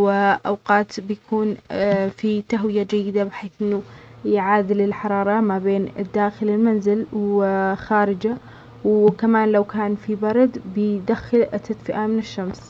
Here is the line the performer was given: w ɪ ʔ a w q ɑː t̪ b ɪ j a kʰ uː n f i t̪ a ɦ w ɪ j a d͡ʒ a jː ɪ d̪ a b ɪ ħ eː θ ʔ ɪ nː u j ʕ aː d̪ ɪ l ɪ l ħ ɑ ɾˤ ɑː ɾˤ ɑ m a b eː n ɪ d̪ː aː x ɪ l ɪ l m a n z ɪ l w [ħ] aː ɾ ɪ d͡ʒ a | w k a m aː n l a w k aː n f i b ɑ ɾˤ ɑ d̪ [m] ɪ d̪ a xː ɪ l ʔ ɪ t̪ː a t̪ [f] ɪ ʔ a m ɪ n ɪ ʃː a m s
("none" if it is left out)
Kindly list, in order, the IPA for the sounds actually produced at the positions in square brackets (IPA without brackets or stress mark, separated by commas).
x, b, f